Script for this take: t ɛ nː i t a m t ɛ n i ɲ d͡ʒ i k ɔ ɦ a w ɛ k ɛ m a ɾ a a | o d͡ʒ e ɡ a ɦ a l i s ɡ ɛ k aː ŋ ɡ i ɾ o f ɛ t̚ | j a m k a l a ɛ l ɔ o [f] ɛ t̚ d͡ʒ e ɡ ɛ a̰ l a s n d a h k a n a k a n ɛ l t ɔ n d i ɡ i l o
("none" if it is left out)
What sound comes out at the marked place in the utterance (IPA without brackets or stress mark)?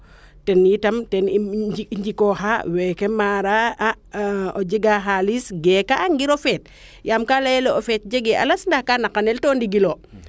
f